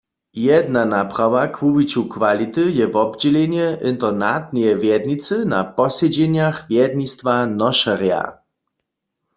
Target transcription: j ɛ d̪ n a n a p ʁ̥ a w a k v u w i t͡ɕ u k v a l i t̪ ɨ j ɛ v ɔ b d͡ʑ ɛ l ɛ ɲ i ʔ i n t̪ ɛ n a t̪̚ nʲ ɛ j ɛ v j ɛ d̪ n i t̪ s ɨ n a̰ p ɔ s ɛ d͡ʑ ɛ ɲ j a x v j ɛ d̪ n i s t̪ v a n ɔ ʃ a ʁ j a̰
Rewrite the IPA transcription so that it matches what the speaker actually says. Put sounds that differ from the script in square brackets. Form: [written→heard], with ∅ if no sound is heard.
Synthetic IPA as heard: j ɛ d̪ n a n a p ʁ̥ a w a k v u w i t͡ɕ u k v a l i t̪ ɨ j ɛ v ɔ b d͡ʑ ɛ l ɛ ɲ [i→ɛ] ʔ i n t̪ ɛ n a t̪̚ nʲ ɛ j ɛ v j ɛ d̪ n i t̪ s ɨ n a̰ p ɔ s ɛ d͡ʑ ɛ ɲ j a x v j ɛ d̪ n i s t̪ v a n ɔ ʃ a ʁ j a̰